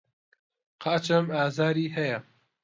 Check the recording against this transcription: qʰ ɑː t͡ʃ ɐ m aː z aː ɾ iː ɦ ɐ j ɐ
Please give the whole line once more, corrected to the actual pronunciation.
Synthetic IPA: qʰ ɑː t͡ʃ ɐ m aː z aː ɾ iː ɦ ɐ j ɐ